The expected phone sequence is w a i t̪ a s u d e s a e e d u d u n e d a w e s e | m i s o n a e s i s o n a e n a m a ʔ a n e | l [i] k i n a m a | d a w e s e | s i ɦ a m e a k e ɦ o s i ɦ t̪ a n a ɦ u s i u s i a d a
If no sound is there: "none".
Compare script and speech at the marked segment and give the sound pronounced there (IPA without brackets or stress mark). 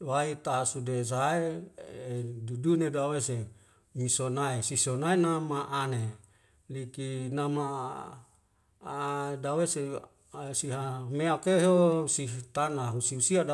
i